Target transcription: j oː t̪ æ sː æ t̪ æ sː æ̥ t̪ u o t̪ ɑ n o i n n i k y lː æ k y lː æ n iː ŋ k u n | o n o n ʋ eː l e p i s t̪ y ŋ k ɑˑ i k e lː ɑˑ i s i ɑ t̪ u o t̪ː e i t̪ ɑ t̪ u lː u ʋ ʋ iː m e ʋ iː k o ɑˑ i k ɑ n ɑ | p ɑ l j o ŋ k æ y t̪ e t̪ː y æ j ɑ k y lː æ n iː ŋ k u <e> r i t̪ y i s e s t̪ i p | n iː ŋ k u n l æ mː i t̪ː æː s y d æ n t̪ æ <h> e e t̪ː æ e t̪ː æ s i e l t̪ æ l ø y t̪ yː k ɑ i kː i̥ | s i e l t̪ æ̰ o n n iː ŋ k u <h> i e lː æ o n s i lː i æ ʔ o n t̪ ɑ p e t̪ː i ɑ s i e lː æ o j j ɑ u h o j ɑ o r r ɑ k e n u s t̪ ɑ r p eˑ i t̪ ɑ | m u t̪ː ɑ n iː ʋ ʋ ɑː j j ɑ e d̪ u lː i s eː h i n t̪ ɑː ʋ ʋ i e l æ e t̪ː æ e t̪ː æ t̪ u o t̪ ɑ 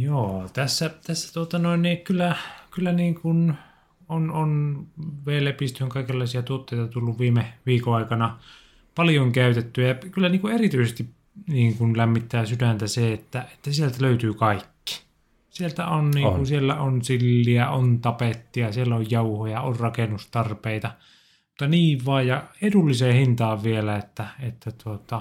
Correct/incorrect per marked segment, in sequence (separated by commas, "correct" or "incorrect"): correct, incorrect, incorrect